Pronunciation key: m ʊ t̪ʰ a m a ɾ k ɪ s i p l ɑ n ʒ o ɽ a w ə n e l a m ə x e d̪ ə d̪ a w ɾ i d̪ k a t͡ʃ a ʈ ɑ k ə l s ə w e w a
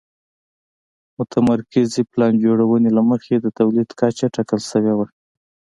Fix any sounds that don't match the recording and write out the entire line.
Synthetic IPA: m ʊ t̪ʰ a m a ɾ k ɪ z i p l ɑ n d͡ʒ o ɽ a w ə n e l a m ə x e d̪ ə t̪ a w l i d̪ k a t͡ʃ a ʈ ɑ k ə l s ə w e w a